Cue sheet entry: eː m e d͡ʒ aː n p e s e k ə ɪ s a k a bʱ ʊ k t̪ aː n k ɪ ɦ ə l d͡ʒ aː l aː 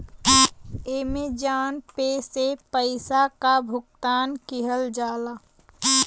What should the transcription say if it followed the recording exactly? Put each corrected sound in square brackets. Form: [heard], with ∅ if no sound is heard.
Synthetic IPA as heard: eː m e d͡ʒ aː n p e s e [p] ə ɪ s a k a bʱ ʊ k t̪ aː n k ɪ ɦ ə l d͡ʒ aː l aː

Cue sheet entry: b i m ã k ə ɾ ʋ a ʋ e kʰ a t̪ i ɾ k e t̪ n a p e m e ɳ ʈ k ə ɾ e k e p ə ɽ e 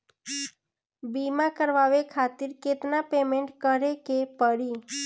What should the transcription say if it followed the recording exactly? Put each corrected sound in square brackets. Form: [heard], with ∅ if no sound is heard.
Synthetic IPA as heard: b i m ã k ə ɾ ʋ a ʋ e kʰ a t̪ i ɾ k e t̪ n a p e m e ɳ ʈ k ə ɾ e k e p ə ɽ [i]

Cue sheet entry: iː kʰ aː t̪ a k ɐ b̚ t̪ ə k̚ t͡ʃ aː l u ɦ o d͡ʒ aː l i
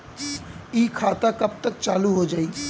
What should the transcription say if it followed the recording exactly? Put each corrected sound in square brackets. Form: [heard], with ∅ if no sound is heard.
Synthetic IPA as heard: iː kʰ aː t̪ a k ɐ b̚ t̪ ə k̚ t͡ʃ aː l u ɦ o d͡ʒ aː [∅] i

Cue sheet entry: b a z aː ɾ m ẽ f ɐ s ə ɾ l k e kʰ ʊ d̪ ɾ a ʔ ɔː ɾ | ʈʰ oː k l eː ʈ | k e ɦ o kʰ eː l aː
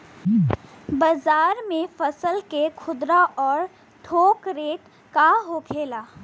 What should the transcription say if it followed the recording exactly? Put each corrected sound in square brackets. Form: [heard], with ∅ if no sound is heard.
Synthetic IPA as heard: b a z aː ɾ m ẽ f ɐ s ə [∅] l k e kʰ ʊ d̪ ɾ a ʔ ɔː ɾ | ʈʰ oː k [ɾ] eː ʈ | k [a] ɦ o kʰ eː l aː

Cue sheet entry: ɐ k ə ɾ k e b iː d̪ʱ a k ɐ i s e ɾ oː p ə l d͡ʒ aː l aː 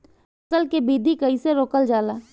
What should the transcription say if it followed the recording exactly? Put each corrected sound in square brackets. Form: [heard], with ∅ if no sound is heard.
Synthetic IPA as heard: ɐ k ə [l] k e b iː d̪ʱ [i] k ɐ i s e ɾ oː [k] ə l d͡ʒ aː l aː

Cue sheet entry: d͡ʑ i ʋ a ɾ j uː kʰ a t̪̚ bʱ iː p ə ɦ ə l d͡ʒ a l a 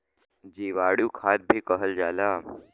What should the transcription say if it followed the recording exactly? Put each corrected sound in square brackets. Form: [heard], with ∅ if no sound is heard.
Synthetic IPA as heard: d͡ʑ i ʋ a [ɽ] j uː kʰ a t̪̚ bʱ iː [k] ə ɦ ə l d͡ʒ a l a

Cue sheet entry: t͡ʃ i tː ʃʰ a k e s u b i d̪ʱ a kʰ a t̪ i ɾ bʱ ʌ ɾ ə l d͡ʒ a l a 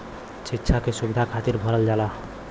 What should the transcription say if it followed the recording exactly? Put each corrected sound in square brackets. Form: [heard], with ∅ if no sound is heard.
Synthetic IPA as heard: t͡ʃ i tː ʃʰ a k e s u b i d̪ʱ a kʰ a t̪ i ɾ bʱ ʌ ɾ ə l d͡ʒ a l a

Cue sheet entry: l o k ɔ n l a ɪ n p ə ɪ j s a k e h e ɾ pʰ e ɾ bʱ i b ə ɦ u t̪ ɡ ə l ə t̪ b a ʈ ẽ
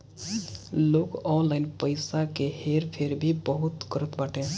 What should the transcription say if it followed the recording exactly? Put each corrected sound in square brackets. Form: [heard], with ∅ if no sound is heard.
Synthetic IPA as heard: l o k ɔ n l a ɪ n p ə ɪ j s a k e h e ɾ pʰ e ɾ bʱ i b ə ɦ u t̪ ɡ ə [ɾ] ə t̪ b a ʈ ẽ

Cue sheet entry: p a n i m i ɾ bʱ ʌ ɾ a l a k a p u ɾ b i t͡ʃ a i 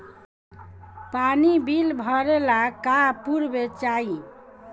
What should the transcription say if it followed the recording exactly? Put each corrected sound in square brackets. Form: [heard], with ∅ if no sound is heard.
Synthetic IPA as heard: p a n i [b] i [l] bʱ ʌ ɾ [e] l a k a p u ɾ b [e] t͡ʃ a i

